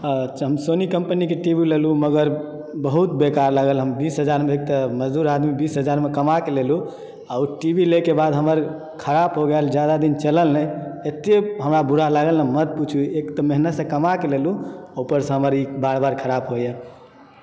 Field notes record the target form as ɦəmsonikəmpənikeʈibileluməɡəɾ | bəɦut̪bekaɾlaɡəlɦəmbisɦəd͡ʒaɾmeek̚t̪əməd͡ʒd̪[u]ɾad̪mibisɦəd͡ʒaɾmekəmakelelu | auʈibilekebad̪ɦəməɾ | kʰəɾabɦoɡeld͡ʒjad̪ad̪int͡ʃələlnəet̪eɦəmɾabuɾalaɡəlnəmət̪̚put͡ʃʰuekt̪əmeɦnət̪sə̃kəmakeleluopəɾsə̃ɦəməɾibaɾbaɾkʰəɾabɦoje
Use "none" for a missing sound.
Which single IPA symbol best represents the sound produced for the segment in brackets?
u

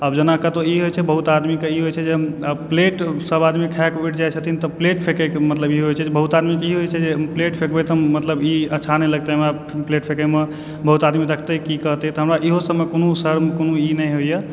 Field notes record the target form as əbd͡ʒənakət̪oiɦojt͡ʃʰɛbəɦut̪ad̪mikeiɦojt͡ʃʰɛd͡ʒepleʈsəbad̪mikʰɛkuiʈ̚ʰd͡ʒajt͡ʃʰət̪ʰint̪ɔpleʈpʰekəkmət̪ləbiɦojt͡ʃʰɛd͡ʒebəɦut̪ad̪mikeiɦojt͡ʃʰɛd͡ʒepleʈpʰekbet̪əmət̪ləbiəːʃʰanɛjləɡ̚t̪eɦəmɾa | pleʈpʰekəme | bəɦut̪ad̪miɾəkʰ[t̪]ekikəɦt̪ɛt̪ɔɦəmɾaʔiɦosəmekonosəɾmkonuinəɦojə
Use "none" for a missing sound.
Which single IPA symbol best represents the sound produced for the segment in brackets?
t̪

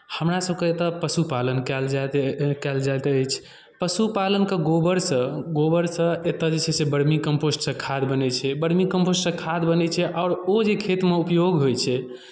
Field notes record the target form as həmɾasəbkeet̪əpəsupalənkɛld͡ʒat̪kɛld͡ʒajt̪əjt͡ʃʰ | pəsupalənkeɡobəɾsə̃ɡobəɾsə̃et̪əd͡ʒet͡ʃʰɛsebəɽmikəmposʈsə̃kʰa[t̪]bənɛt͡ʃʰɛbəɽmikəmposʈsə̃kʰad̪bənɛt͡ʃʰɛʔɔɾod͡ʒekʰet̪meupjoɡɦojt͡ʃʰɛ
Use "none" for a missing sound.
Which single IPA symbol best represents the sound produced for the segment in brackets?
d̪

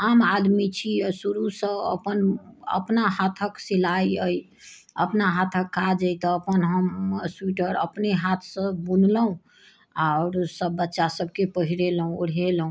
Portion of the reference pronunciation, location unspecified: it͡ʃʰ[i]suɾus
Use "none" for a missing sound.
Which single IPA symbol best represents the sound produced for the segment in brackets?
i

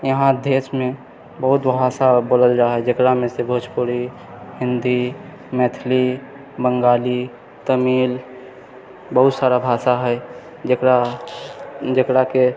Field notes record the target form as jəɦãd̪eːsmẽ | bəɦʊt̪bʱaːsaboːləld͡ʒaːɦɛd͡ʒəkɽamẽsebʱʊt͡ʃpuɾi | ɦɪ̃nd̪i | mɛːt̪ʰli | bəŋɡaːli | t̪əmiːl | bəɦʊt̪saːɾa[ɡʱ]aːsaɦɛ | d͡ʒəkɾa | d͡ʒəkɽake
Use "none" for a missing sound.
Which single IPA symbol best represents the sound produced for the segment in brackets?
bʱ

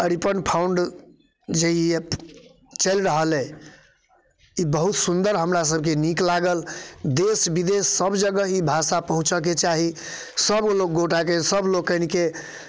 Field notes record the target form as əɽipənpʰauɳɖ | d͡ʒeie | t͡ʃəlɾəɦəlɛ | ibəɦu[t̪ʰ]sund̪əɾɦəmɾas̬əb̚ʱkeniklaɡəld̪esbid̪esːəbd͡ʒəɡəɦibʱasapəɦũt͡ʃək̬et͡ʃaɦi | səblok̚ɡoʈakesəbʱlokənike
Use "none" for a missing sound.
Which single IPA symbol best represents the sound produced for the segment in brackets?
t̪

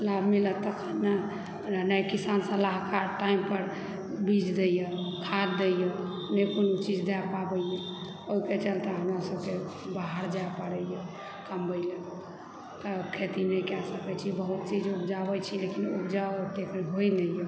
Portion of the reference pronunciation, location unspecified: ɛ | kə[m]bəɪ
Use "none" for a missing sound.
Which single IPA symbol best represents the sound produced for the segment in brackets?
m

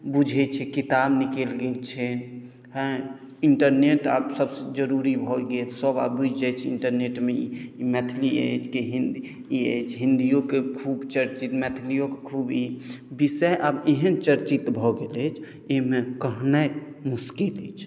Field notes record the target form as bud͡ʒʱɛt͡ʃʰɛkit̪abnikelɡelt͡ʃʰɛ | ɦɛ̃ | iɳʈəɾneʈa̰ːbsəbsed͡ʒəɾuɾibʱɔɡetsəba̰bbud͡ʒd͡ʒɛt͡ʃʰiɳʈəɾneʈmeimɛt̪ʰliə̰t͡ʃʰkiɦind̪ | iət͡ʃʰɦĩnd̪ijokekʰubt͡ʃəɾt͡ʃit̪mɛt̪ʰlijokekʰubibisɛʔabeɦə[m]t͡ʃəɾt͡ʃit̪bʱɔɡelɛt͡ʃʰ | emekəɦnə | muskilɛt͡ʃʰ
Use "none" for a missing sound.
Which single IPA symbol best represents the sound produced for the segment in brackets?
n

